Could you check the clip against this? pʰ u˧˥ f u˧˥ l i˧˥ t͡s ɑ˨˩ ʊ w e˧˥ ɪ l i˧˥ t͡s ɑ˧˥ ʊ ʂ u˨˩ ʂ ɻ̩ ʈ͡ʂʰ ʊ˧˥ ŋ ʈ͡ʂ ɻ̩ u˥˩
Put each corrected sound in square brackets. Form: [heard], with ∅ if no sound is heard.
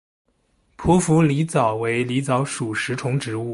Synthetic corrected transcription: pʰ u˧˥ f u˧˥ l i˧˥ t͡s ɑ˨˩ ʊ w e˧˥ ɪ l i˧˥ t͡s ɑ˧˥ ʊ ʂ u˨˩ ʂ ɻ̩ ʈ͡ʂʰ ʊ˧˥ ŋ ʈ͡ʂ ɻ̩ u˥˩